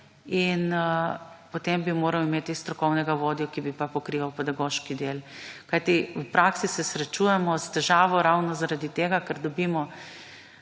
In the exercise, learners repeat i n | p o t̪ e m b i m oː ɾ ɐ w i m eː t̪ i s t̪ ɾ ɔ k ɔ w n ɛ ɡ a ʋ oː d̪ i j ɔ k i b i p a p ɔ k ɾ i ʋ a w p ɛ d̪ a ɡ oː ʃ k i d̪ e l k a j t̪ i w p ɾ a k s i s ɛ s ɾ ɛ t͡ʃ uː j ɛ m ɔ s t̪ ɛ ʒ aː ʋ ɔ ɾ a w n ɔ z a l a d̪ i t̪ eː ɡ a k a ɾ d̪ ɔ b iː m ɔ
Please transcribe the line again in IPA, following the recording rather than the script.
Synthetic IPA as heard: i n | p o t̪ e m b i m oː ɾ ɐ w i m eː t̪ i s t̪ ɾ ɔ k ɔ w n ɛ ɡ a ʋ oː d̪ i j ɔ k i b i p a p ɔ k ɾ i ʋ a w p ɛ d̪ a ɡ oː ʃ k i d̪ e l k a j t̪ i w p ɾ a k s i s ɛ s ɾ ɛ t͡ʃ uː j ɛ m ɔ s t̪ ɛ ʒ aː ʋ ɔ ɾ a w n ɔ z a ɾ a d̪ i t̪ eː ɡ a k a ɾ d̪ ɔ b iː m ɔ

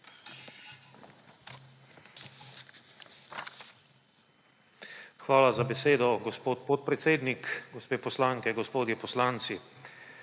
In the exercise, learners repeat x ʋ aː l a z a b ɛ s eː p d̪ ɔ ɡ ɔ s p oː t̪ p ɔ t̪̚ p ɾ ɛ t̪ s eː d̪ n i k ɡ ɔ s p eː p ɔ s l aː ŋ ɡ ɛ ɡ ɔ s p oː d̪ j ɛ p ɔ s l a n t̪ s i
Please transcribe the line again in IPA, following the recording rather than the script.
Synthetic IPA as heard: x ʋ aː l a z a b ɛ s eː d̪ ɔ ɡ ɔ s p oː t̪ p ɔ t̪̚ p ɾ ɛ t̪ s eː d̪ n i k ɡ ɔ s p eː p ɔ s l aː ŋ k ɛ ɡ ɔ s p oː d̪ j ɛ p ɔ s l a n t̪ s i

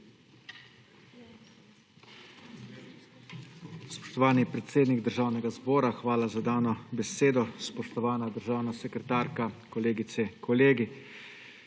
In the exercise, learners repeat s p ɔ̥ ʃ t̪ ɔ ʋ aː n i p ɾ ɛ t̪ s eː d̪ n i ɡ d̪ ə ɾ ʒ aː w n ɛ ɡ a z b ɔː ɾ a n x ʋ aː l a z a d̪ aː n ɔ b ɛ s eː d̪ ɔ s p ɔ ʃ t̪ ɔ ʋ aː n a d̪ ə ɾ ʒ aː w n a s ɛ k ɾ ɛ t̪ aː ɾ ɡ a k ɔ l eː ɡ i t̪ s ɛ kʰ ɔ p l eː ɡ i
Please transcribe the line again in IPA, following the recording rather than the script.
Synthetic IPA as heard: s p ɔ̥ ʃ t̪ ɔ ʋ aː n i p ɾ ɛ t̪ s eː d̪ n i ɡ d̪ ə ɾ ʒ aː w n ɛ ɡ a z b ɔː ɾ a x ʋ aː l a z a d̪ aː n ɔ b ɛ s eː d̪ ɔ s p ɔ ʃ t̪ ɔ ʋ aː n a d̪ ə ɾ ʒ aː w n a s ɛ k ɾ ɛ t̪ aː ɾ k a k ɔ l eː ɡ i t̪ s ɛ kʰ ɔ l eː ɡ i

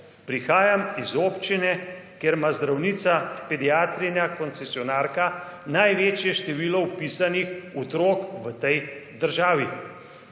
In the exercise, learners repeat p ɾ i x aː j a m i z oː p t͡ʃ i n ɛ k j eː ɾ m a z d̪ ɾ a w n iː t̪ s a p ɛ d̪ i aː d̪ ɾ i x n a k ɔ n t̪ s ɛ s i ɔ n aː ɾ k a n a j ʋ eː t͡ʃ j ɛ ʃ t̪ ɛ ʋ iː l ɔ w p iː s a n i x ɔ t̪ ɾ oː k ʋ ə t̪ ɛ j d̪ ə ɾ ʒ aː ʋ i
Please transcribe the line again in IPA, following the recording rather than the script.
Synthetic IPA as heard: p ɾ i x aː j a m i z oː p t͡ʃ i n ɛ k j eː ɾ m a z d̪ ɾ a w n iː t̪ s a p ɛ d̪ i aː t̪ ɾ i n a k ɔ n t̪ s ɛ s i ɔ n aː ɾ k a n a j ʋ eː t͡ʃ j ɛ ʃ t̪ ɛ ʋ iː l ɔ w p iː s a n i x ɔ t̪ ɾ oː k ʋ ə t̪ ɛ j d̪ ə ɾ ʒ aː ʋ i

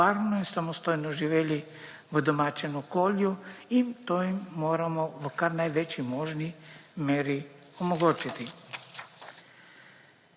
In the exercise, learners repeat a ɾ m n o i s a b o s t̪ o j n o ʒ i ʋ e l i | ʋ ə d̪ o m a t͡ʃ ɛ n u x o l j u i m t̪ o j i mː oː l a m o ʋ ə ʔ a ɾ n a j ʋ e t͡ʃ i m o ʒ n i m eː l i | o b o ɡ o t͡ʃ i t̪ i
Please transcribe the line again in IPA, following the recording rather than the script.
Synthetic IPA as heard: a ɾ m n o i s a m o s t̪ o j n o ʒ i ʋ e l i | ʋ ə d̪ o m a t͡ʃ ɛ n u k o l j u i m t̪ o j i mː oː ɾ a m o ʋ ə k a ɾ n a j ʋ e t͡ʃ i m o ʒ n i m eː ɾ i | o m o ɡ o t͡ʃ i t̪ i

